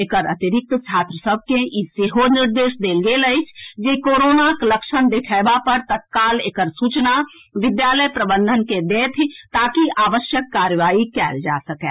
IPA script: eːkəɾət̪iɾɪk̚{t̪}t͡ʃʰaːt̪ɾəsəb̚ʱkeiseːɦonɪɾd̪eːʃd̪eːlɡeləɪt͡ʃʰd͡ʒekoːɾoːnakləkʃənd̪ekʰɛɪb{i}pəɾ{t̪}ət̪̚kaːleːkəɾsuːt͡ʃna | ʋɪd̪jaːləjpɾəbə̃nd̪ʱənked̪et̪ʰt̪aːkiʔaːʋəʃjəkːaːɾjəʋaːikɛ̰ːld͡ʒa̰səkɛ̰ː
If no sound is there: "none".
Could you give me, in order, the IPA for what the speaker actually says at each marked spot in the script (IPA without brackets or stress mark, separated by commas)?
t̪, a, t̪